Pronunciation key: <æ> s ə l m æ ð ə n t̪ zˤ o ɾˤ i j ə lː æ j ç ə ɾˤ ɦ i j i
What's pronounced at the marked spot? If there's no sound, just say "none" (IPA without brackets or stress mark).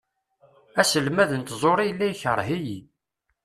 æ